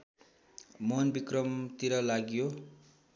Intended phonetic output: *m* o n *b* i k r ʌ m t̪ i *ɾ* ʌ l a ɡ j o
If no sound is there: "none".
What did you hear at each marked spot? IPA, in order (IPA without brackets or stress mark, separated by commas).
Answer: m, b, ɾ